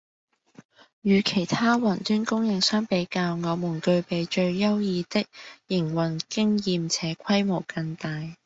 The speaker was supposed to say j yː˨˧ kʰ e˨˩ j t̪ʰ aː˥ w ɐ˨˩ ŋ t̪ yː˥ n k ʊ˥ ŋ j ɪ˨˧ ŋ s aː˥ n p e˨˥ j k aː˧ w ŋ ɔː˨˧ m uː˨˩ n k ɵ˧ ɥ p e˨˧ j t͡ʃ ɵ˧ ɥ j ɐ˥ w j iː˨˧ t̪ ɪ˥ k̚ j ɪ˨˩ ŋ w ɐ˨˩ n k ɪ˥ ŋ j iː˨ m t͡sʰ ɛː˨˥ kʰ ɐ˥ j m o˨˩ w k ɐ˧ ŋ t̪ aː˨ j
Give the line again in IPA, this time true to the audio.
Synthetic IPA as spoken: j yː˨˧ kʰ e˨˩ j t̪ʰ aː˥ w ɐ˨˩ n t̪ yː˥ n k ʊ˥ ŋ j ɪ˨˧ ŋ s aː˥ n p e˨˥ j k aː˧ w ŋ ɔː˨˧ m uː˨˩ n k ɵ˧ ɥ p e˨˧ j t͡ʃ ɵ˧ ɥ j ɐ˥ w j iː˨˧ t̪ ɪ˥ k̚ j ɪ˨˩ ŋ w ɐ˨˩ n k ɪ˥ ŋ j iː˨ m t͡sʰ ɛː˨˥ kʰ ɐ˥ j m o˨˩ w k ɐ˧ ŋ t̪ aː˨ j